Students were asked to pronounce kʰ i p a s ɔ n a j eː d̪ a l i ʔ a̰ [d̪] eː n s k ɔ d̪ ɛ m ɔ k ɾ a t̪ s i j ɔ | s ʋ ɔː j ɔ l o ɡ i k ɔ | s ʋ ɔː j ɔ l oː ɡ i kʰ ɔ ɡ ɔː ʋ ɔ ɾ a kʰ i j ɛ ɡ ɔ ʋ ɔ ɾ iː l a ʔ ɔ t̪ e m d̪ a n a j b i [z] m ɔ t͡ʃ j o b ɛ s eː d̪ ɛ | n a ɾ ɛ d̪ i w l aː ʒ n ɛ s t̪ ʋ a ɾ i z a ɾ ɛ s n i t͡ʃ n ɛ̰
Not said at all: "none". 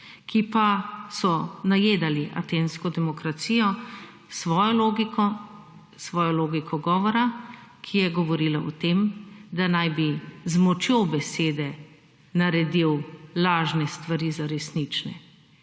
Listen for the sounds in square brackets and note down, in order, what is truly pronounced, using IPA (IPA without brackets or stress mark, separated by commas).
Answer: t̪, z